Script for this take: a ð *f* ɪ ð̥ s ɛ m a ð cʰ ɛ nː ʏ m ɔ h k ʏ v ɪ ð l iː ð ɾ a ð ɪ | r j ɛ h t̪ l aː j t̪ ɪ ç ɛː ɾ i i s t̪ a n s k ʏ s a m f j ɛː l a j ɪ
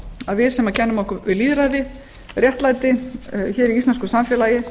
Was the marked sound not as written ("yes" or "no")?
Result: yes